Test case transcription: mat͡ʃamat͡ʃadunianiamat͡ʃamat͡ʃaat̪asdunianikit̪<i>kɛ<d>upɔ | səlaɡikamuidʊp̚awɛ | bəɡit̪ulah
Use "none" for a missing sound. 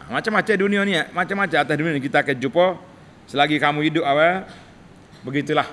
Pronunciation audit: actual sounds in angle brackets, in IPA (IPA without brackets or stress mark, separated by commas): a, d͡ʒ